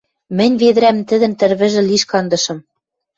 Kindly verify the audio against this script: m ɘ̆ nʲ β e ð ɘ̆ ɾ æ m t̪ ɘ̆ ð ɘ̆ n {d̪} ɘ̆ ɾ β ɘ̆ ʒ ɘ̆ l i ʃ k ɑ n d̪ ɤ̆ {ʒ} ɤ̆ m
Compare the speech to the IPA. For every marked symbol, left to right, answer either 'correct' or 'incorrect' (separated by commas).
incorrect, incorrect